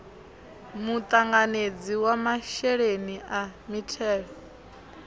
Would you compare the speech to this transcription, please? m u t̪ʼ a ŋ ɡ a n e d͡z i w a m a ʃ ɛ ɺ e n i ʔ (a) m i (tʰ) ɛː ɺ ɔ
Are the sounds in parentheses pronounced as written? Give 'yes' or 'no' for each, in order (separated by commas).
yes, yes